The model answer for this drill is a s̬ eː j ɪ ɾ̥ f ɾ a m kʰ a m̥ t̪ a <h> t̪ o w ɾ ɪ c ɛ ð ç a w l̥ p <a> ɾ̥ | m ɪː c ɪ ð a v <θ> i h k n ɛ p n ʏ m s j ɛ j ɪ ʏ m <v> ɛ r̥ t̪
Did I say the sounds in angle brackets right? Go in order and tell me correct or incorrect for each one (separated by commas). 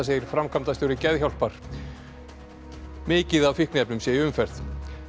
incorrect, correct, incorrect, incorrect